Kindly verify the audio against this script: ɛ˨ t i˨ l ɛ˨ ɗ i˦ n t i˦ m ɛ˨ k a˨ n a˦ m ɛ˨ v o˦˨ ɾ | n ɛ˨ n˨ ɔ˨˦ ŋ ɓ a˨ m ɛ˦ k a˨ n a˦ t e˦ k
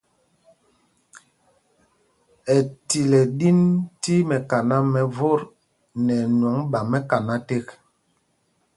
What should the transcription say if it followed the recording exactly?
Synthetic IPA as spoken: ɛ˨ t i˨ l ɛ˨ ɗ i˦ n t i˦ m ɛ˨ k a˨ n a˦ m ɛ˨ v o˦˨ ɾ | n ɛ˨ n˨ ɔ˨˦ ŋ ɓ a˨ m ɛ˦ k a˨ n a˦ t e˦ k